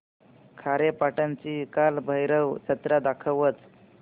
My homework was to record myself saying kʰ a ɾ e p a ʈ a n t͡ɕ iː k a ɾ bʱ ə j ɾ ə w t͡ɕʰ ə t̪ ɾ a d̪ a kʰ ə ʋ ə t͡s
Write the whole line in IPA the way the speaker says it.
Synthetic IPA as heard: kʰ a ɾ e p a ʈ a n t͡ɕ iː k a l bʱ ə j ɾ ə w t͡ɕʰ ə t̪ ɾ a d̪ a kʰ ə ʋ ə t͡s